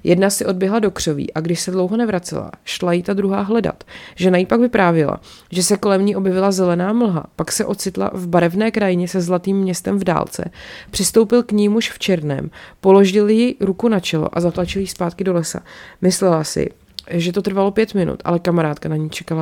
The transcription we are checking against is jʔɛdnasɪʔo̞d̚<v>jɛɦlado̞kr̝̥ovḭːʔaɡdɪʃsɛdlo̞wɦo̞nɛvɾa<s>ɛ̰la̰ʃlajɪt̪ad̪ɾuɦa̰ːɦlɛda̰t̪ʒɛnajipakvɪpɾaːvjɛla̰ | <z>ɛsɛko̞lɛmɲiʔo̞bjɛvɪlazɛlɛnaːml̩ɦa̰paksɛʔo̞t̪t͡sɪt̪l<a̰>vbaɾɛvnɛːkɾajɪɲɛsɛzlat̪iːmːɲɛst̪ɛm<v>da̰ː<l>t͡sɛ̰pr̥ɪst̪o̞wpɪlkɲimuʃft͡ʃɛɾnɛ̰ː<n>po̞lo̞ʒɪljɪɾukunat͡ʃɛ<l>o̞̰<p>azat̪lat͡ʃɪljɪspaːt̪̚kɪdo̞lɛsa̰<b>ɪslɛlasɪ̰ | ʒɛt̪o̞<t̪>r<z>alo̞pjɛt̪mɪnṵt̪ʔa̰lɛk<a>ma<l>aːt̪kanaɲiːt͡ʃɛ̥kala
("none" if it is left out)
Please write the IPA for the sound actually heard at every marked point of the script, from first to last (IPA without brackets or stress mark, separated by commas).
b, t͡s, ʒ, a̰, v, l, m, l, ʔ, m, t̪, v, a, ɾ